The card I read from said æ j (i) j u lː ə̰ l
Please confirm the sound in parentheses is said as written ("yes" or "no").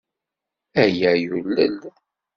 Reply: no